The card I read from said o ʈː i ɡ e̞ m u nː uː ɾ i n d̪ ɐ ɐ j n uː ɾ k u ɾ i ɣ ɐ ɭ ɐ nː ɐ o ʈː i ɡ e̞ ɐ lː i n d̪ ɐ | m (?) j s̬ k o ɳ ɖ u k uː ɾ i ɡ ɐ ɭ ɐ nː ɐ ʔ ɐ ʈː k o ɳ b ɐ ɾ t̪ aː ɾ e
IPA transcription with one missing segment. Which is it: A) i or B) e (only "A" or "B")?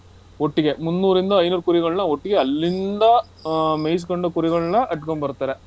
B